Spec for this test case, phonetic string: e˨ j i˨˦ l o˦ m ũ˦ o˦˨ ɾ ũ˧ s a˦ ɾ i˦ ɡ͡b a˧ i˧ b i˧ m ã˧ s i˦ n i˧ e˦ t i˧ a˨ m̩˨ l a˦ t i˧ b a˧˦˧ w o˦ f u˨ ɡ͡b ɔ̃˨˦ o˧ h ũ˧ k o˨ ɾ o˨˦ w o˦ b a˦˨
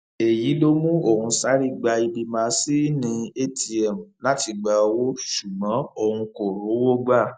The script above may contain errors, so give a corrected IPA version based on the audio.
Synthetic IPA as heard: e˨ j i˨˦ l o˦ m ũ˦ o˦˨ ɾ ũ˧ s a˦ ɾ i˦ ɡ͡b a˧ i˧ b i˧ m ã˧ s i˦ n ĩ˧ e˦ t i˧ ɛ˨ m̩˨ l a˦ t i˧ ɡ͡b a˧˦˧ w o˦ ʃ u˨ ɡ͡b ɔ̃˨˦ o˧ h ũ˧ k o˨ ɾ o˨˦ w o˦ ɡ͡b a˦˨